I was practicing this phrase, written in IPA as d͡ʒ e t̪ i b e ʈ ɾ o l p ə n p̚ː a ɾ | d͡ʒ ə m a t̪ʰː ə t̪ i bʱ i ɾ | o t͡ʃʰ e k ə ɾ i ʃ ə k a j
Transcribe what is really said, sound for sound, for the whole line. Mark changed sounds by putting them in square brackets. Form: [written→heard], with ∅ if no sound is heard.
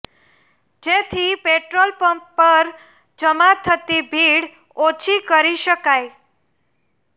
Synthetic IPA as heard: d͡ʒ e [t̪→t̪ʰ] i [b→p] e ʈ ɾ o l p ə [n→m] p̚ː [a→ə] ɾ | d͡ʒ ə m a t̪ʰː ə t̪ i bʱ i [ɾ→ɽ] | o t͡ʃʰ [e→i] k ə ɾ i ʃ ə k a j